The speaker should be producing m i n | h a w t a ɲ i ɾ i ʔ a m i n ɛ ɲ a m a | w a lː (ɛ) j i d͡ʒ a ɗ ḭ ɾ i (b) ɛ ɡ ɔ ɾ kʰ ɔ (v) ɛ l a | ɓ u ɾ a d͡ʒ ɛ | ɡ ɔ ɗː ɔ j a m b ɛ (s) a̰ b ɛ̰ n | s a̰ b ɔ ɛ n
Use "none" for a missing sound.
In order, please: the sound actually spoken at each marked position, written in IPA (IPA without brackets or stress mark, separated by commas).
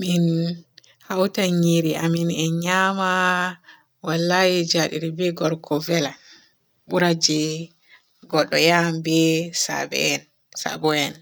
a, b, v, s